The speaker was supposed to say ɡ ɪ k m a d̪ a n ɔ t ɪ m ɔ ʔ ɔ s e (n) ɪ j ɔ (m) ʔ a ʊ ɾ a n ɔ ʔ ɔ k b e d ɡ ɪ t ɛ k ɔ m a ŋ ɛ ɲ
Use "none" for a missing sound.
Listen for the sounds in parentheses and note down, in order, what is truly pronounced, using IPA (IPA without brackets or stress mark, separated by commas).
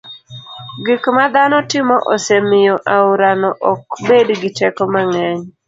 m, none